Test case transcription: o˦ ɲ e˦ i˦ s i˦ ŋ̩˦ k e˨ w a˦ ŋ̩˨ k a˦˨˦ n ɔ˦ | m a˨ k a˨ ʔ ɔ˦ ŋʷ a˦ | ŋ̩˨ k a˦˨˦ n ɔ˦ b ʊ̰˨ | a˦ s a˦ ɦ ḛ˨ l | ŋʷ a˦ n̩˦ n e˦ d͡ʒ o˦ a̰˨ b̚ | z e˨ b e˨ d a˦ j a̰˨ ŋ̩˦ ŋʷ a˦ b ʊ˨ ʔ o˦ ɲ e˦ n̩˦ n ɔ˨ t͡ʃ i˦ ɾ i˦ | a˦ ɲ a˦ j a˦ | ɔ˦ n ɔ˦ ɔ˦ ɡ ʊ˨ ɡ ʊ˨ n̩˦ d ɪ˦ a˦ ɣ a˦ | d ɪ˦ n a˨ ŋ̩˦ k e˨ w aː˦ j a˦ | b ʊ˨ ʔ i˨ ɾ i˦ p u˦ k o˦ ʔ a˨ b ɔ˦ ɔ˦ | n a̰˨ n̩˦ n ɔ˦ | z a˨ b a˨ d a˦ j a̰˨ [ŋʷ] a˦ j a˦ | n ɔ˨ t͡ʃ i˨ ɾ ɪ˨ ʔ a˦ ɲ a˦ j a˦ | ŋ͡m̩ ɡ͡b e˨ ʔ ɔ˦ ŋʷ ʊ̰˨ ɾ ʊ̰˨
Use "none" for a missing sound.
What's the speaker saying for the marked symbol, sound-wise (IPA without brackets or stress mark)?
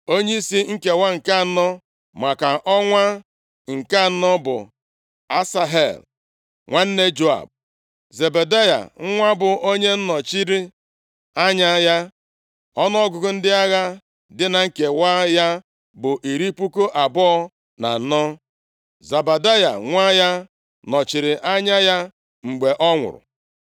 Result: ŋʷ